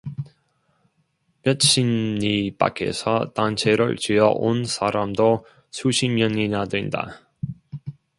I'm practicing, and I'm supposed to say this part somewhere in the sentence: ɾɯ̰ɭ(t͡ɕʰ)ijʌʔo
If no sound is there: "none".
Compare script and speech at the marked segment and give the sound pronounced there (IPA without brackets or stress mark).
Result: t͡ɕ